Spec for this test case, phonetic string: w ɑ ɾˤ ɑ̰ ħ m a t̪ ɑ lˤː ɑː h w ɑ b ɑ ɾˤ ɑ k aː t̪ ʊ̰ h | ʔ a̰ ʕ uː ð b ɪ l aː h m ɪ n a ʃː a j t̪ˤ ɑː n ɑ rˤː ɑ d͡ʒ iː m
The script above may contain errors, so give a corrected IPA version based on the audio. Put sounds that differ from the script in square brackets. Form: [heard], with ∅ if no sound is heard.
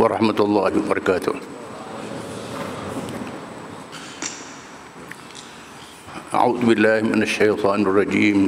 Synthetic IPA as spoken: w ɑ ɾˤ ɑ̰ ħ m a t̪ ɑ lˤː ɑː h w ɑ b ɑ ɾˤ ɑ k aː t̪ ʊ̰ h | ʔ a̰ ʕ uː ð b ɪ [lː] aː h m ɪ n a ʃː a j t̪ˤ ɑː n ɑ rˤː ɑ d͡ʒ iː m